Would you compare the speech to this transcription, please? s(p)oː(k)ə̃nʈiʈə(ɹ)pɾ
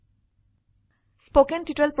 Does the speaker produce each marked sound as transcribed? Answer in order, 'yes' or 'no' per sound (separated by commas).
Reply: yes, yes, no